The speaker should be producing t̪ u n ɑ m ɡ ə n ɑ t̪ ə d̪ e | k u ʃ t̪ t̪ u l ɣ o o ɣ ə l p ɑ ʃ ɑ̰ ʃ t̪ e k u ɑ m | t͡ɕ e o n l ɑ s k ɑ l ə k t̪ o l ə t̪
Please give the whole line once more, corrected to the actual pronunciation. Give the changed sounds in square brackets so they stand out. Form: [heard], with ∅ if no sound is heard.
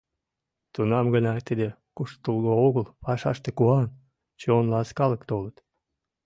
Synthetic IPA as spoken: t̪ u n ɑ m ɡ ə n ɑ t̪ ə d̪ e | k u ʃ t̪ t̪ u l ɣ o o ɣ ə l p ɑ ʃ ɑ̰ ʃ t̪ e k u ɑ [n] | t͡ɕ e o n l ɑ s k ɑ l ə k t̪ o l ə t̪